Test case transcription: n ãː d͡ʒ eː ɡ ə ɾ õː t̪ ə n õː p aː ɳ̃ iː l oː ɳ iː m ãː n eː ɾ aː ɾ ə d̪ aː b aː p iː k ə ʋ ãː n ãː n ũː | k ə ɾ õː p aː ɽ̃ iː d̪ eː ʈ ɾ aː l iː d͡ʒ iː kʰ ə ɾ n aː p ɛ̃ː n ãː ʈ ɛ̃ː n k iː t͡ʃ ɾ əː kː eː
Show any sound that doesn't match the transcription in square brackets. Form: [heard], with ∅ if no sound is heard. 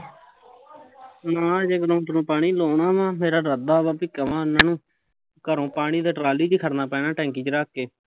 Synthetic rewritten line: n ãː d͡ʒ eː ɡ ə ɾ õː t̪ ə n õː p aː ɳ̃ iː l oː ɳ [aː] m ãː [m] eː ɾ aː ɾ ə d̪ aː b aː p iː k ə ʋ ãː n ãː n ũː | k ə ɾ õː p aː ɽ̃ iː d̪ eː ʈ ɾ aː l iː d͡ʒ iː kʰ ə ɾ n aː p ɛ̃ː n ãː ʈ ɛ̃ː [ŋ] k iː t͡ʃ ɾ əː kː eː